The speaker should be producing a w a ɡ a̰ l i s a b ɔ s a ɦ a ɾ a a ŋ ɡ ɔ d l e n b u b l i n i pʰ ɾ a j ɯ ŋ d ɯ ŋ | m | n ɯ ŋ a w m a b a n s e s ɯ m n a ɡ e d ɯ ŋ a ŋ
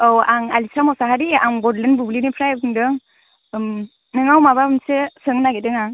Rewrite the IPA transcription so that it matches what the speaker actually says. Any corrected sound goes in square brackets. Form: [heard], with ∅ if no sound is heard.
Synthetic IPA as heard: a w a [ŋ] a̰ l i s a [m] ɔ s a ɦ a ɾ [i] a ŋ ɡ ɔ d l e n b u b l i n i pʰ ɾ a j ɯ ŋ d ɯ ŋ | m | n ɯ ŋ a w m a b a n s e s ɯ [ŋ] n a ɡ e d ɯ ŋ a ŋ